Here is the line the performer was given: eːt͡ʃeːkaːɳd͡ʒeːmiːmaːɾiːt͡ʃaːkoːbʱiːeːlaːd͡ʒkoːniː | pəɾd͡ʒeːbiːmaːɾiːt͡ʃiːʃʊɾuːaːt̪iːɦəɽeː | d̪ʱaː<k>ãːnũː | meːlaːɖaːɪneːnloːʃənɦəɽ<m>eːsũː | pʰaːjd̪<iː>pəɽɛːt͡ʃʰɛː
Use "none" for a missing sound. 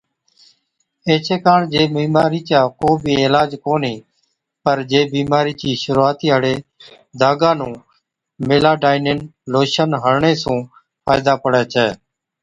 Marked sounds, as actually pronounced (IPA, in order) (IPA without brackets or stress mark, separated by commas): ɡ, ɳ, aː